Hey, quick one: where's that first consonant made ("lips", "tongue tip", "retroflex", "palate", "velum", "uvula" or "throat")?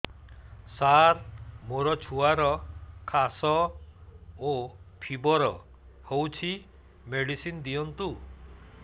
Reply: tongue tip